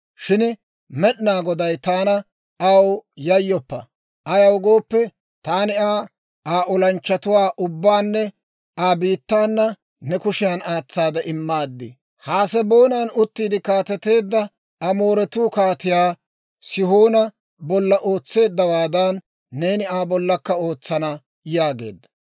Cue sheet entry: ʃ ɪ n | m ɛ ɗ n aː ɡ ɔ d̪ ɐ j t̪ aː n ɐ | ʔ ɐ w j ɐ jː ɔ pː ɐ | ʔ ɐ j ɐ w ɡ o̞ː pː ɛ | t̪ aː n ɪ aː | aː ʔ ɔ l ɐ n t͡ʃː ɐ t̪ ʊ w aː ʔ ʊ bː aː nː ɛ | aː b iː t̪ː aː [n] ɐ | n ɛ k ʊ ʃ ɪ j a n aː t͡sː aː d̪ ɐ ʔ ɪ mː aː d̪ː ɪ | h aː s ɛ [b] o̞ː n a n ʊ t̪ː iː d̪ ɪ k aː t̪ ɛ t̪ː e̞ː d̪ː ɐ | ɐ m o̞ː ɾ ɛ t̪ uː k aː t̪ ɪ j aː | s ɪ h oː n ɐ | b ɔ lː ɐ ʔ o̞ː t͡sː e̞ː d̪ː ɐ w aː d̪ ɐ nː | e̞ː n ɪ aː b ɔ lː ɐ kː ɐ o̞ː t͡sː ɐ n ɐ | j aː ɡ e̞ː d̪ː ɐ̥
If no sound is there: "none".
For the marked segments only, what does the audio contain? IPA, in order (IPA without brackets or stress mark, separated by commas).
nː, b